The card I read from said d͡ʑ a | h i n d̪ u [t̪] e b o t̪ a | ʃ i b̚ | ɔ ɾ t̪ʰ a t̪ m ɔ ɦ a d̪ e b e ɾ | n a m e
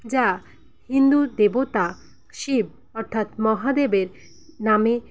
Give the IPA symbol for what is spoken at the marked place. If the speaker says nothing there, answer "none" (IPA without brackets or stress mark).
d̪